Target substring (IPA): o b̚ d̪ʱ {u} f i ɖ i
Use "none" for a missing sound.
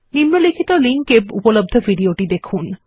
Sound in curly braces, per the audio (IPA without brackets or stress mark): o